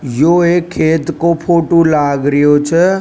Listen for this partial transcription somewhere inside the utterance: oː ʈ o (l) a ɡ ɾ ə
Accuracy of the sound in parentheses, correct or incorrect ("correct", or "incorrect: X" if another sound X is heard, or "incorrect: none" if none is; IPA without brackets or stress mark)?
correct